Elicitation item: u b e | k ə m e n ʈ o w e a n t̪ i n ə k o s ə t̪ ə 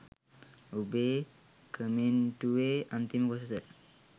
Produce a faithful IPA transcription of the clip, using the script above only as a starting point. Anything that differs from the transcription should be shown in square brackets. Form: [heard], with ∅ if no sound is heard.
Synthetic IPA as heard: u b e | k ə m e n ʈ [u] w e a n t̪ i [m] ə k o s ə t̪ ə